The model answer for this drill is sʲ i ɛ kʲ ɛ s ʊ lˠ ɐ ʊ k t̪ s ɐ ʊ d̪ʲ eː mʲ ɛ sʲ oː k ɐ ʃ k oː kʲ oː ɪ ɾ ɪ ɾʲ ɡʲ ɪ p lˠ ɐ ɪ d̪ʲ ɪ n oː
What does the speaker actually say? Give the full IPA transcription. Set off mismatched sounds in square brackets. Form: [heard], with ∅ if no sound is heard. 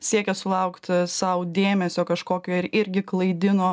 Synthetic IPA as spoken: sʲ i ɛ kʲ ɛ s ʊ lˠ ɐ ʊ k t̪ s ɐ ʊ d̪ʲ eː mʲ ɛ sʲ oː k ɐ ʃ k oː kʲ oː ɪ ɾ ɪ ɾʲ ɡʲ ɪ [k] lˠ ɐ ɪ d̪ʲ ɪ n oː